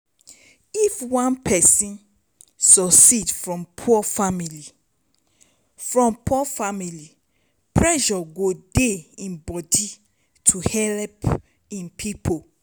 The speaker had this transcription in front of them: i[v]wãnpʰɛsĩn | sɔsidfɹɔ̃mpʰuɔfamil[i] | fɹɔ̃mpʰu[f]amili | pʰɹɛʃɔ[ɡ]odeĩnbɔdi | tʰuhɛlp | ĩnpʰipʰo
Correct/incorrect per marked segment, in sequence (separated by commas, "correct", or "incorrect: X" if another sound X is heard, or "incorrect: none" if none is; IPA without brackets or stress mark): incorrect: f, correct, correct, correct